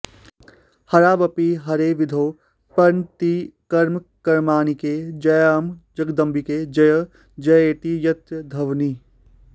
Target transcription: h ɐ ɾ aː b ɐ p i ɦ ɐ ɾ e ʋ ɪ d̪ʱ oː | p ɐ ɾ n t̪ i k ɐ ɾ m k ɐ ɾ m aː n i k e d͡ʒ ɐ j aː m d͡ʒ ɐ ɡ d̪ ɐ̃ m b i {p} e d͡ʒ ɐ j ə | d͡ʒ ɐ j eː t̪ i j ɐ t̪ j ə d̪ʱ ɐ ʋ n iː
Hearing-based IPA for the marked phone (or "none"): k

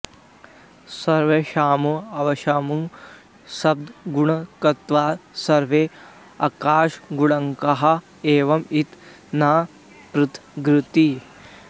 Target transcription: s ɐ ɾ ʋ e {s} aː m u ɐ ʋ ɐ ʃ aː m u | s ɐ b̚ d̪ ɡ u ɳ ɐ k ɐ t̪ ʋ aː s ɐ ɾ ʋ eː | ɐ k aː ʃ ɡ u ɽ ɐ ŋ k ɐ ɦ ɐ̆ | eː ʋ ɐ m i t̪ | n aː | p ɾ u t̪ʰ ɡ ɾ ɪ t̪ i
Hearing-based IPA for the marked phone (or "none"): ʃ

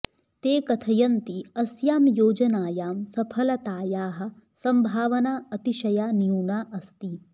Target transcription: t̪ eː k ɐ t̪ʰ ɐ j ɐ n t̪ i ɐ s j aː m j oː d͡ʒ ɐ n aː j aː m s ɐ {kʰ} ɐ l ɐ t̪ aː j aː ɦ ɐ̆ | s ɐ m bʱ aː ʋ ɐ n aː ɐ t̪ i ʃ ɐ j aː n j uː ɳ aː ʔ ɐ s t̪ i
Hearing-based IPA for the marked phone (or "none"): pʰ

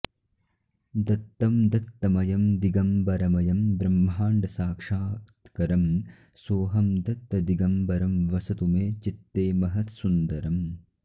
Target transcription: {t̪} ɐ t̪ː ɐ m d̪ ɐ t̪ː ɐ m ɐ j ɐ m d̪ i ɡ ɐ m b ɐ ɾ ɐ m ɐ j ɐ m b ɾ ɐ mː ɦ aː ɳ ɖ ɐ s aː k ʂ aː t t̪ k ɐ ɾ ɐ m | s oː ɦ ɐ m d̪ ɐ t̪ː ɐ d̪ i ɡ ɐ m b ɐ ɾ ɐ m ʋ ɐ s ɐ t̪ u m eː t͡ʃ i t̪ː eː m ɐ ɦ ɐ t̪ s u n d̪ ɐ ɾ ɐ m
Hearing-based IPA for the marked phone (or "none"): d̪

